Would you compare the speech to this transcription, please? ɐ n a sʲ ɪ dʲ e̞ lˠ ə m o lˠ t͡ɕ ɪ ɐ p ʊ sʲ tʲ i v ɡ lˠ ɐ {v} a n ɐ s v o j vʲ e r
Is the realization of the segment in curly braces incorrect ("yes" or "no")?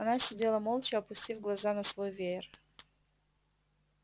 yes